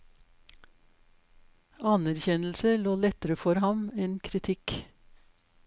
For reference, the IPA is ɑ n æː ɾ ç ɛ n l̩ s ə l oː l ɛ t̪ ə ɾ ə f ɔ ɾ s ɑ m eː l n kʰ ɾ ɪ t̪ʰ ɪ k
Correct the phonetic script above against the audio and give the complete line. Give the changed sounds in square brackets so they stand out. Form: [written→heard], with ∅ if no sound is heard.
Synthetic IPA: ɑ n [æː→æ] ɾ ç ɛ n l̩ s ə l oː l ɛ t̪ ə ɾ ə f ɔ ɾ [s→h] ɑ m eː [l→∅] n kʰ ɾ ɪ t̪ʰ ɪ k